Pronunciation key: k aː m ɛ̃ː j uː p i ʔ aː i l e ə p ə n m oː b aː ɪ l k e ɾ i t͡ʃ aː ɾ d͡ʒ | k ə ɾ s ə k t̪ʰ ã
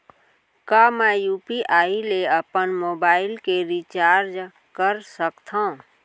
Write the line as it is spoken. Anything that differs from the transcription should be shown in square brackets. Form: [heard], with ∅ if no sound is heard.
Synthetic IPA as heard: k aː m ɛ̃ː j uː p i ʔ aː i l e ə p ə n m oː b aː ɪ l k e ɾ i t͡ʃ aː ɾ d͡ʒ | k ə ɾ s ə k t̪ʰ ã